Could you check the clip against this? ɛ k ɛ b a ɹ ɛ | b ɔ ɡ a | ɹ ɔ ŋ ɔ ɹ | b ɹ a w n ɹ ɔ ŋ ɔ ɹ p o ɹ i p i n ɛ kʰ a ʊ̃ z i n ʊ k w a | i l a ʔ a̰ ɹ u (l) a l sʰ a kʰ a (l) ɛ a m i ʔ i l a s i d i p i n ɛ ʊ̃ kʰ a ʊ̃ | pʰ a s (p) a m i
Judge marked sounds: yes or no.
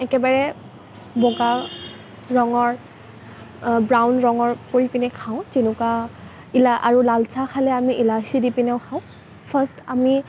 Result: yes, yes, no

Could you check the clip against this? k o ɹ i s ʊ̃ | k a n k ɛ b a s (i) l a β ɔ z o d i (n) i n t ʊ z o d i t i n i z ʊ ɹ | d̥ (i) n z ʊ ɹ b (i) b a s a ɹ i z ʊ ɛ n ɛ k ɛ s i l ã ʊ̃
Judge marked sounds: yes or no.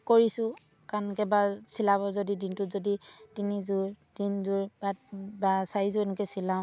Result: yes, no, yes, no

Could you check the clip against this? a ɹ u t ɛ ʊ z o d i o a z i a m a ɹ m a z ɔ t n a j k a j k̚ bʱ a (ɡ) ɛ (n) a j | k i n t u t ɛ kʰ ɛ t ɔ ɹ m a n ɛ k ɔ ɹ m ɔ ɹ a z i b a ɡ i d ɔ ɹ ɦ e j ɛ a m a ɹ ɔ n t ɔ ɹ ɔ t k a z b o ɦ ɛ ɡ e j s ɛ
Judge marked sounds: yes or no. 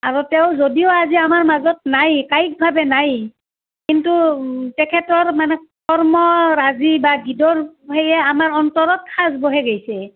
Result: no, yes

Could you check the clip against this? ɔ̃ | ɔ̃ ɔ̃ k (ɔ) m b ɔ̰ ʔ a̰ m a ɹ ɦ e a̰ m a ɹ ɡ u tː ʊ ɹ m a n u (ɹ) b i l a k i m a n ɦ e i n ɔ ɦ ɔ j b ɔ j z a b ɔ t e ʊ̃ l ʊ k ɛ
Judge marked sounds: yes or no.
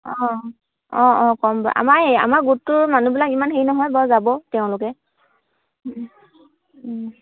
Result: yes, no

